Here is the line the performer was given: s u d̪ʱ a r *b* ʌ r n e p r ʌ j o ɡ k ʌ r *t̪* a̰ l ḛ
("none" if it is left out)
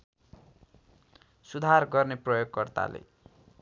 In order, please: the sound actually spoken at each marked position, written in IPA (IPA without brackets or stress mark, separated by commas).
ɡ, t̪